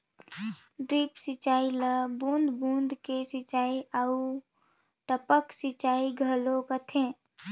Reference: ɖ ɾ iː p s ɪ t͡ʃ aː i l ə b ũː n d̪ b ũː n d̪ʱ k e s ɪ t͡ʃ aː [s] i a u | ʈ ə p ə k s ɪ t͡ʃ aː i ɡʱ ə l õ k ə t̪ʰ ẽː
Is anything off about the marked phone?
yes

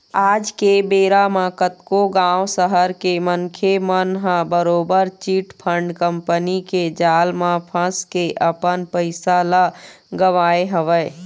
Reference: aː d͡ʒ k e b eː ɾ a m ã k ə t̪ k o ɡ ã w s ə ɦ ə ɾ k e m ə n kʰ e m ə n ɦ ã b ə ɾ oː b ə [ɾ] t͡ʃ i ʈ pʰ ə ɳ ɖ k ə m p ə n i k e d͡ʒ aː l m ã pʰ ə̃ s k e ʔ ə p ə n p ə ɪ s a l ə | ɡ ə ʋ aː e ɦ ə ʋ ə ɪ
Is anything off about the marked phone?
no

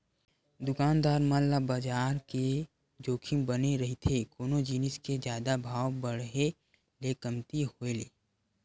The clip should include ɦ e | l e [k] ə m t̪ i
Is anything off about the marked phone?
no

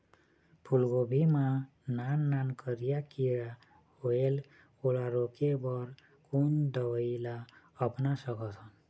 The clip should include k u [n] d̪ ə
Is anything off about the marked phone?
no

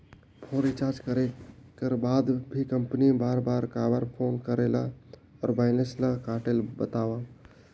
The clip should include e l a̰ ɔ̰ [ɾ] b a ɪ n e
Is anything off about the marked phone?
no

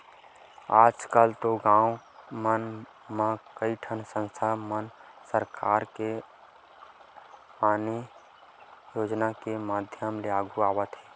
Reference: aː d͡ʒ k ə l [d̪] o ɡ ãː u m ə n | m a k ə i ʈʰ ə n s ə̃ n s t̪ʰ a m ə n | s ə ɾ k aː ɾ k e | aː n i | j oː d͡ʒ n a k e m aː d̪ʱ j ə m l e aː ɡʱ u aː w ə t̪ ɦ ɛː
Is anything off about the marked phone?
yes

